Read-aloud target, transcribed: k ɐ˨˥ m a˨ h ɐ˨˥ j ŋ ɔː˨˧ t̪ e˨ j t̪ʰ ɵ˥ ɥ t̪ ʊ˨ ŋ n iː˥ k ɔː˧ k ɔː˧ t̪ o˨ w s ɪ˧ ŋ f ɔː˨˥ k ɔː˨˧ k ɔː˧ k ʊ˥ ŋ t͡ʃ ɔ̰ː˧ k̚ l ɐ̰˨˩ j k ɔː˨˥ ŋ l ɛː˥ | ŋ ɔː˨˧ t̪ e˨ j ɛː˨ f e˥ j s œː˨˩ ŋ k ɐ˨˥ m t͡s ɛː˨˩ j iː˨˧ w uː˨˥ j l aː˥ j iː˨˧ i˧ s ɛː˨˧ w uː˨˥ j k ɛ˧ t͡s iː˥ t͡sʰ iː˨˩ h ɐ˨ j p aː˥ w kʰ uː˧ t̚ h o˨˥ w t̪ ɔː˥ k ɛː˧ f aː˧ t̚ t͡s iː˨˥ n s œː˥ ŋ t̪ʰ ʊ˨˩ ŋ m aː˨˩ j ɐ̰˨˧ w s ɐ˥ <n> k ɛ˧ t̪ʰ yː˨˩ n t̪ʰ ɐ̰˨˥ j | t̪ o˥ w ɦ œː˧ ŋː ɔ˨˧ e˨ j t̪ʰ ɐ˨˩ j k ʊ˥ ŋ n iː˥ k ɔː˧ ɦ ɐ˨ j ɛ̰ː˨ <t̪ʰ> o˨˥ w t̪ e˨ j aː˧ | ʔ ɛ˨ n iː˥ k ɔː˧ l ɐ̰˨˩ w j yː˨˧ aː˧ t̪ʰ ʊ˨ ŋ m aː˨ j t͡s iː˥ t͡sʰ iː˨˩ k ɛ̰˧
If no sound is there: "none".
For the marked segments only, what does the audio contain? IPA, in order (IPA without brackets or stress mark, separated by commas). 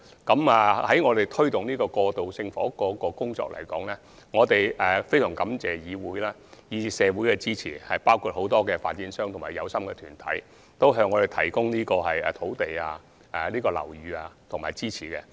m, t̪ʰ